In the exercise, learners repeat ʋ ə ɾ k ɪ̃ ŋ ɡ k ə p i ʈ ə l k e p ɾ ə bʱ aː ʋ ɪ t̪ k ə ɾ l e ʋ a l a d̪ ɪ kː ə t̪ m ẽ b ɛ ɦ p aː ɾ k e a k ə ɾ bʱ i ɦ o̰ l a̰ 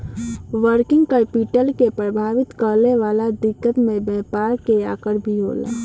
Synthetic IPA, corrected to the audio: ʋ ə ɾ k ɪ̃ ŋ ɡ k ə p i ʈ ə l k e p ɾ ə bʱ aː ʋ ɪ t̪ k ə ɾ l e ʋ a l a d̪ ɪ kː ə t̪ m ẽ b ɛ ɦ p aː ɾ k e a k ə ɾ bʱ i ɦ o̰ l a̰